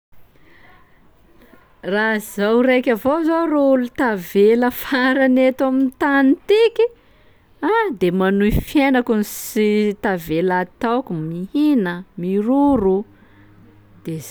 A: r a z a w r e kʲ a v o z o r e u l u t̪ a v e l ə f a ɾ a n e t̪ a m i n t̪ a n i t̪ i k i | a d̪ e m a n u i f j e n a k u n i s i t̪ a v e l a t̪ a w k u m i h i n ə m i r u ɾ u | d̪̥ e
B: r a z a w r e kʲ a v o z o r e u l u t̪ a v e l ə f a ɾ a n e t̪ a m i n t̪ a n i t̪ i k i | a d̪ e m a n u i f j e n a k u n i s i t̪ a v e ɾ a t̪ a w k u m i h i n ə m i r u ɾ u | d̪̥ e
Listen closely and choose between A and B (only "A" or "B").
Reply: A